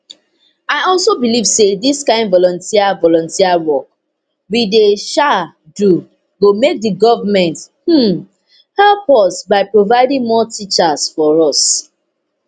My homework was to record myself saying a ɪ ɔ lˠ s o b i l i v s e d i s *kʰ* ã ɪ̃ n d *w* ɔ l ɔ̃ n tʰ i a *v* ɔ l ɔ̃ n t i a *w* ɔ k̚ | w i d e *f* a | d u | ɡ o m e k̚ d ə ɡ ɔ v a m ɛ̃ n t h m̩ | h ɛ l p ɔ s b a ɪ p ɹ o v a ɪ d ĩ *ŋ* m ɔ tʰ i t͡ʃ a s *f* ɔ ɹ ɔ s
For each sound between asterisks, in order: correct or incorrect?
incorrect, incorrect, correct, correct, incorrect, correct, correct

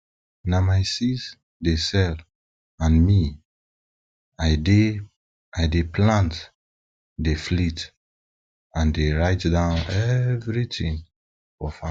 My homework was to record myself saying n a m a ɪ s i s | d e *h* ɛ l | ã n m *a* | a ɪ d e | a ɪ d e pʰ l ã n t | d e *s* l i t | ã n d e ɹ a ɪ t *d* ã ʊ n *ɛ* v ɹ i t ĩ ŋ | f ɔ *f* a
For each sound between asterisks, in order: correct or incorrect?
incorrect, incorrect, incorrect, correct, correct, correct

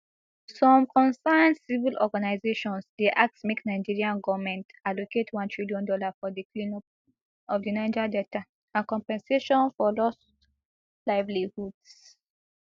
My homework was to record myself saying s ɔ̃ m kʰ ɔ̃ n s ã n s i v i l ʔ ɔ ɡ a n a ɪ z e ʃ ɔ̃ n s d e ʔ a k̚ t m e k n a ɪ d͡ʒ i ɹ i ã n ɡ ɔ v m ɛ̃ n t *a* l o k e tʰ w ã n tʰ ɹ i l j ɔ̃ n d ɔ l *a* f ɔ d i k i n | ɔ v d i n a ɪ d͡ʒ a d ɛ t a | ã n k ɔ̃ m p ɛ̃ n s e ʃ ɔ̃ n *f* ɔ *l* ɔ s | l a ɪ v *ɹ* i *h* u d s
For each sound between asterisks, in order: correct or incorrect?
correct, correct, correct, correct, incorrect, correct

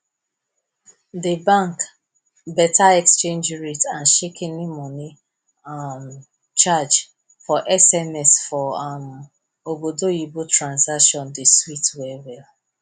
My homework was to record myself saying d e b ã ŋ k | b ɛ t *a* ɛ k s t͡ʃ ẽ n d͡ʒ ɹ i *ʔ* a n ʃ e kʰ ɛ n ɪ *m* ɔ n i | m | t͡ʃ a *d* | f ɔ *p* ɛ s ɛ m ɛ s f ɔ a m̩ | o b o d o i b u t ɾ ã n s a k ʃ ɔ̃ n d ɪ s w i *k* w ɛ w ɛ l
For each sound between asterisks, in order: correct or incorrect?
correct, incorrect, correct, incorrect, incorrect, incorrect

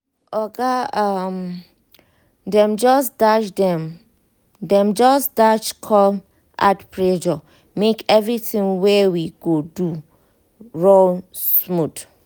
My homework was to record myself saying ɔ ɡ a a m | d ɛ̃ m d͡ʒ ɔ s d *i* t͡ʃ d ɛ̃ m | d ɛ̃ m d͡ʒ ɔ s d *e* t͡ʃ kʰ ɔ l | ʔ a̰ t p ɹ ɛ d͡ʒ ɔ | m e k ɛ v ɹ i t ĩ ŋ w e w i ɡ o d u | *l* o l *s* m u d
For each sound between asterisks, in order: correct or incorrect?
incorrect, incorrect, incorrect, correct

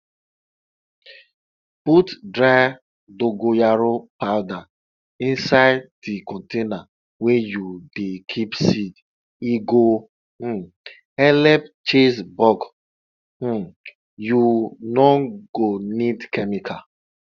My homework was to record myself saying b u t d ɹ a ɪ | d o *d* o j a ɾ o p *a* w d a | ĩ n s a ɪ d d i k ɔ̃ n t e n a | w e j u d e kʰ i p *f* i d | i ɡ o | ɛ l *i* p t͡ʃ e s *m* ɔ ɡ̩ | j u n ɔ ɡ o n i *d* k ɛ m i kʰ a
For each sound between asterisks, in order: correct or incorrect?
incorrect, correct, incorrect, incorrect, incorrect, correct

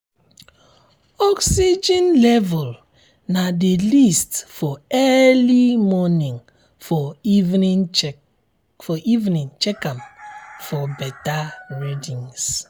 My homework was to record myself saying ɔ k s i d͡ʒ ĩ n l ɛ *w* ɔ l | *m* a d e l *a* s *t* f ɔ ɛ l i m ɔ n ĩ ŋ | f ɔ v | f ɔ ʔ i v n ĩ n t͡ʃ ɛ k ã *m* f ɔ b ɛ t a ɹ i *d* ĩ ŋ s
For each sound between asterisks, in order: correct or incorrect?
incorrect, incorrect, incorrect, correct, correct, correct

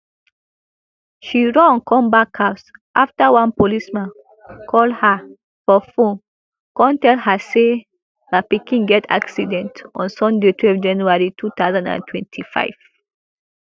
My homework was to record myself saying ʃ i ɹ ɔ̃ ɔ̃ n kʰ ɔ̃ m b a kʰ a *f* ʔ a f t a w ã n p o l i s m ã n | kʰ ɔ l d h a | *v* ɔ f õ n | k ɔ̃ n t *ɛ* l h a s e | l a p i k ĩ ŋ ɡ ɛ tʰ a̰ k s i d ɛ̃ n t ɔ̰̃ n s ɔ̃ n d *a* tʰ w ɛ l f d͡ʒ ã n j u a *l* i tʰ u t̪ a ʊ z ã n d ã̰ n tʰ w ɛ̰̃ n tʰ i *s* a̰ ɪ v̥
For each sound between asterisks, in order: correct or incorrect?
incorrect, incorrect, correct, incorrect, incorrect, incorrect

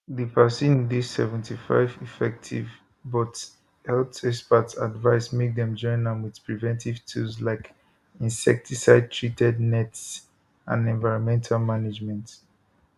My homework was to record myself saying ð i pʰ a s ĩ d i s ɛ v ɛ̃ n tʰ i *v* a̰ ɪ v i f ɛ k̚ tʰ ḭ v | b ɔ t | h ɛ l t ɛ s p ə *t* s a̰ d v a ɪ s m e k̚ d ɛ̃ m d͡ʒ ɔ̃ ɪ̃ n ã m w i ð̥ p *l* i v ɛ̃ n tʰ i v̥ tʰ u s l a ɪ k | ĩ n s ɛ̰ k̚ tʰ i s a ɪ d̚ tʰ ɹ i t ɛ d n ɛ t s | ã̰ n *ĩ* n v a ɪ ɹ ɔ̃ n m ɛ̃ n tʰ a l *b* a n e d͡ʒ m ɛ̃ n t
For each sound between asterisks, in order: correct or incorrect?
incorrect, correct, incorrect, incorrect, incorrect

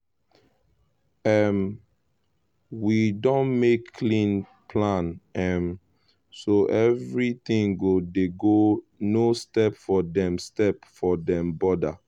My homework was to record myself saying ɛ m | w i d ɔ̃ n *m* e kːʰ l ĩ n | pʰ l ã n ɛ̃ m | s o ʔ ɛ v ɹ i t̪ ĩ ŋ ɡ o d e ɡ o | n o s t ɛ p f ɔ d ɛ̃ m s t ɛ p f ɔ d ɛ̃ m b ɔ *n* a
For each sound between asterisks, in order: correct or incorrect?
correct, incorrect

